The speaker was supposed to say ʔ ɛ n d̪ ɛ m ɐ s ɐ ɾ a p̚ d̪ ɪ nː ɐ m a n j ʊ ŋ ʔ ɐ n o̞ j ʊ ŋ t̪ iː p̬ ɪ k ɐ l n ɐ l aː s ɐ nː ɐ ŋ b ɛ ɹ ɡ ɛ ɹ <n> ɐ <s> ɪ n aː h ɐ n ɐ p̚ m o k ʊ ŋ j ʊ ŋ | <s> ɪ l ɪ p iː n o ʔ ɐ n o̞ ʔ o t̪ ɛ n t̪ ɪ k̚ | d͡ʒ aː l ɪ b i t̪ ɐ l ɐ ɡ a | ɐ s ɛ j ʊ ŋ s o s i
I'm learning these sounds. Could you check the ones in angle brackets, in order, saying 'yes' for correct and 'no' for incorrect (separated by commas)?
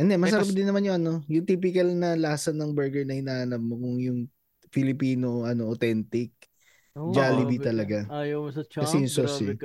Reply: yes, no, no